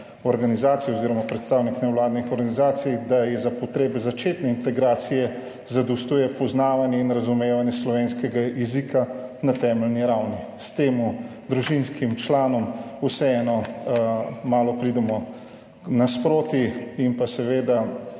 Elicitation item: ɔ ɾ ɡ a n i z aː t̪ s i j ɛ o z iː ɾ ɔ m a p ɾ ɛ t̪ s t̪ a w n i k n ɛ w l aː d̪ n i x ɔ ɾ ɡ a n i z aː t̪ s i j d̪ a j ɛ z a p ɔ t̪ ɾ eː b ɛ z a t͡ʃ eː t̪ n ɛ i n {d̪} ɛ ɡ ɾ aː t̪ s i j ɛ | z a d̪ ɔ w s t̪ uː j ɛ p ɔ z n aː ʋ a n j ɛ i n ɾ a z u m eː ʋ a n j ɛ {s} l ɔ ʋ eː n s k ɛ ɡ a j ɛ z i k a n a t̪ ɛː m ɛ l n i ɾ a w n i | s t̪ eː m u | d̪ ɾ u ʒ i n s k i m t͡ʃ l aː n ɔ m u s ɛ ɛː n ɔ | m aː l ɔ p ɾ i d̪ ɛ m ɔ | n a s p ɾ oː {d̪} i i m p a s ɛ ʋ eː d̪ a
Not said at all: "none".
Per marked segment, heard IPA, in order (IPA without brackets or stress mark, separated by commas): t̪, s, t̪